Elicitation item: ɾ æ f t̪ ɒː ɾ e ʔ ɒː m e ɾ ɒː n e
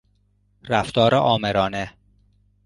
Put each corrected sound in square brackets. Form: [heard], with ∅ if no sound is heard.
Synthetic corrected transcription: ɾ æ f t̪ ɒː ɾ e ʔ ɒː m e ɾ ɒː n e